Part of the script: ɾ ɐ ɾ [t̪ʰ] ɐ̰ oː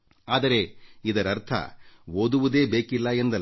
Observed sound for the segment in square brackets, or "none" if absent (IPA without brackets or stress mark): t̪ʰ